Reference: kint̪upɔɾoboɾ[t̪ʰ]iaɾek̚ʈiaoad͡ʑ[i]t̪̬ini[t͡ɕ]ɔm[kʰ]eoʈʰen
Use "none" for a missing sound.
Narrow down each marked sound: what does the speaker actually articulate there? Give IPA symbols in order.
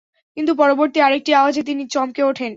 t̪, e, t͡ɕ, k

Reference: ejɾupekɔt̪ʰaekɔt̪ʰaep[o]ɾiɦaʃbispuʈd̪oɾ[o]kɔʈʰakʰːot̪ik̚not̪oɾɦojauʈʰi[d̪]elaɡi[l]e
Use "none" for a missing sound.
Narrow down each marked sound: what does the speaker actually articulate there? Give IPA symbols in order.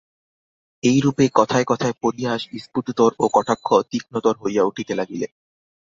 o, o, t̪, l

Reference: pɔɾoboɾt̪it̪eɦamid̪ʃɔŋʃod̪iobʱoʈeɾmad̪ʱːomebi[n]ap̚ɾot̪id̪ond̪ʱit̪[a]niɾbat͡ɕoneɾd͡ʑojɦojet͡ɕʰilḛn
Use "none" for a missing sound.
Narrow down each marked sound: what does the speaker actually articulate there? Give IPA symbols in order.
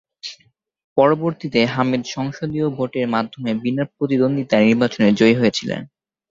n, a

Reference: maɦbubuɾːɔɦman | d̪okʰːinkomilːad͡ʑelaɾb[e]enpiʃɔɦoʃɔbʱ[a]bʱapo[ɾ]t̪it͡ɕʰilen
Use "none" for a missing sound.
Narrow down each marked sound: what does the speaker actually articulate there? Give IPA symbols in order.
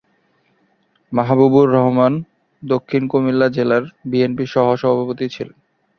i, a, none

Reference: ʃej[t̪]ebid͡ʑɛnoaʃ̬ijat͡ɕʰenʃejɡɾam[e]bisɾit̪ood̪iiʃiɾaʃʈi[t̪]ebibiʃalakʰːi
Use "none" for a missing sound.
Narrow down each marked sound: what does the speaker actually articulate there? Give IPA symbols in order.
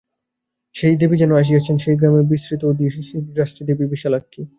d̪, e, d̪

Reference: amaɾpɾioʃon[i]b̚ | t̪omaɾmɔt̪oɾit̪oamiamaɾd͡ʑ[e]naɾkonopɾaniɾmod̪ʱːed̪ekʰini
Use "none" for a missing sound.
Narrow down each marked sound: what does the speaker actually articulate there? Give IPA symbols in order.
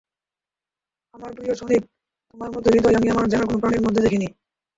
i, a

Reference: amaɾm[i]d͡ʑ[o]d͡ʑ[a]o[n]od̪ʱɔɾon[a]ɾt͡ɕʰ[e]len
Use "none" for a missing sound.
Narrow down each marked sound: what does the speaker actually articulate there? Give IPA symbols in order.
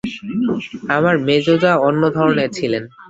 e, o, a, nː, e, i

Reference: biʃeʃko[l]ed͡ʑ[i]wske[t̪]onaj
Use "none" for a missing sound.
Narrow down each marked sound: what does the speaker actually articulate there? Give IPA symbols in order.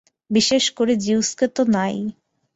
ɾ, i, t̪

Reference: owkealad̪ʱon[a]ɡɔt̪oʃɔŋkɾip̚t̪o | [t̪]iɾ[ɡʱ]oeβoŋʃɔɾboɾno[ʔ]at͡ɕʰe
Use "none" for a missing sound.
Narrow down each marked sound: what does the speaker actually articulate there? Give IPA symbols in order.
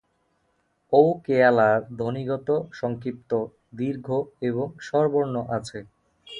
i, d̪, ɡʱ, ʔ

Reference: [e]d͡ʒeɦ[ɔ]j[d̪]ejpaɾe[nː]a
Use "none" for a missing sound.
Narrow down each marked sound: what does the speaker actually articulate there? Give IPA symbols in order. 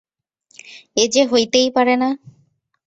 e, o, t̪, n

